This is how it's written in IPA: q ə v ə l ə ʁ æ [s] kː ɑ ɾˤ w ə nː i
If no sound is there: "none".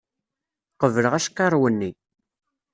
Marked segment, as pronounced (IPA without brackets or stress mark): ʃ